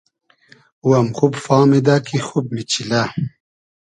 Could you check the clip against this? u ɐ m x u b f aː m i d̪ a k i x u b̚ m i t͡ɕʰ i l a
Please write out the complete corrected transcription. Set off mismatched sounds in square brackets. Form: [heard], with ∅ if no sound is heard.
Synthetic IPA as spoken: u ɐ m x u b f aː m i d̪ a k i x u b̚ m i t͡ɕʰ i l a

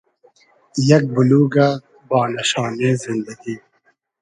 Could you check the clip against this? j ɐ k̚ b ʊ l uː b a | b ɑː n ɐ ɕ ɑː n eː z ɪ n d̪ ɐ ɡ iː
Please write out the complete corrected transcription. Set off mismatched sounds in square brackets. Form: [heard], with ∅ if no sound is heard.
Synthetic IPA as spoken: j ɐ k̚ b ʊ l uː [ɡ] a | b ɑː n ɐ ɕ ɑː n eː z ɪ n d̪ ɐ ɡ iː

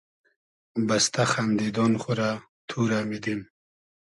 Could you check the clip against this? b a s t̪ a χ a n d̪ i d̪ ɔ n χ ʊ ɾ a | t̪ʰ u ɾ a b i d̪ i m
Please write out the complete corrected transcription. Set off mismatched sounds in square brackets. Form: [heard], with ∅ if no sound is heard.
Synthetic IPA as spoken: b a s t̪ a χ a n d̪ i d̪ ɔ n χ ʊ ɾ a | t̪ʰ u ɾ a [m] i d̪ i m

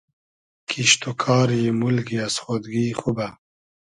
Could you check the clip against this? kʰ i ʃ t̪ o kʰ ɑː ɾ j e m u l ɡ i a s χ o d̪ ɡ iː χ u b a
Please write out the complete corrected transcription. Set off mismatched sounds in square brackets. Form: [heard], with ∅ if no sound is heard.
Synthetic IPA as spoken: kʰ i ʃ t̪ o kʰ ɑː ɾ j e m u l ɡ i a s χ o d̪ ɡ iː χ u b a

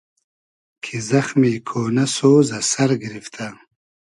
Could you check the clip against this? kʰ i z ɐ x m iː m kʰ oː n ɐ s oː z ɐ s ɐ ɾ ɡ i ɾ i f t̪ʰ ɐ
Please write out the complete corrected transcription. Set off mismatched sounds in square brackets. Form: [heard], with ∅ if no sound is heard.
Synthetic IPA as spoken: kʰ i z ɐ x m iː [∅] kʰ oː n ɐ s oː z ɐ s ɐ ɾ ɡ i ɾ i f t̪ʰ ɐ

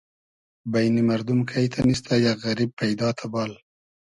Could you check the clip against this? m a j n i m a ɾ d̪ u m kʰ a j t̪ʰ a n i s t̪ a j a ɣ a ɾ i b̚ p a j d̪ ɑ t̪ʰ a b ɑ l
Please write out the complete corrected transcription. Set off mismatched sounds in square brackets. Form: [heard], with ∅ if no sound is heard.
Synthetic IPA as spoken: [b] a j n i m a ɾ d̪ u m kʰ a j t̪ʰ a n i s t̪ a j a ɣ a ɾ i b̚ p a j d̪ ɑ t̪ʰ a b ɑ l

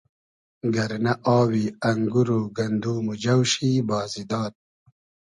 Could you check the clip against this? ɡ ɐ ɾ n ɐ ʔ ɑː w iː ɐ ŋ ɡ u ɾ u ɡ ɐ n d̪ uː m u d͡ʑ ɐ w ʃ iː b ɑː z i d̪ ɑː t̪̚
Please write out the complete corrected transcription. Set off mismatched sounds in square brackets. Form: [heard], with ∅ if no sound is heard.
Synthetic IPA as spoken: ɡ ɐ ɾ n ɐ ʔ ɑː w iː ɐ ŋ ɡ u ɾ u ɡ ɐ n d̪ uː m u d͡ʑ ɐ w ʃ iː b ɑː z i d̪ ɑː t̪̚

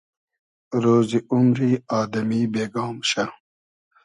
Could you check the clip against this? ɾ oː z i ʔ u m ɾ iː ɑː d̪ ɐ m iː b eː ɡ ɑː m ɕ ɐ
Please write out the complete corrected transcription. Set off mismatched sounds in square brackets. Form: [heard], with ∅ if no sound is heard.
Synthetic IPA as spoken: ɾ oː z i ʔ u m ɾ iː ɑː d̪ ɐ m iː b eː ɡ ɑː m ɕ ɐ

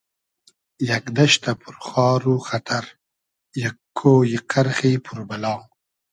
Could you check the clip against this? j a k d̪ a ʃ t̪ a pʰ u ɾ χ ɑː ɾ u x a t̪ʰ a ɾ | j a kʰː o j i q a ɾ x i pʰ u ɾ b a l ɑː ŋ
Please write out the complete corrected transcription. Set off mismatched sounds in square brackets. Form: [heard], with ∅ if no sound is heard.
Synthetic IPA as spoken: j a k d̪ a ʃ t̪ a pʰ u ɾ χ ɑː ɾ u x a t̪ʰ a ɾ | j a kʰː o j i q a ɾ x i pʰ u ɾ b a l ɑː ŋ

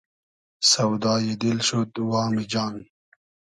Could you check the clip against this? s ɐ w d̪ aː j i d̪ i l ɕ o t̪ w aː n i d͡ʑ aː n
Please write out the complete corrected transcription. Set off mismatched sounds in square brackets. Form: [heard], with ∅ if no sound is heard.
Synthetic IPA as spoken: s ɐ w d̪ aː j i d̪ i l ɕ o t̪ w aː [m] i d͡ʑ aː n

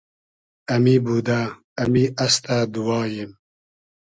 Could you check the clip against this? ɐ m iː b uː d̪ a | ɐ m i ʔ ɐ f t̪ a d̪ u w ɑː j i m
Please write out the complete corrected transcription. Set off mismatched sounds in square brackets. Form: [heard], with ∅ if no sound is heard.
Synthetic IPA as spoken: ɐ m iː b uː d̪ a | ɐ m i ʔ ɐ [s] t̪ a d̪ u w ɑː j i m

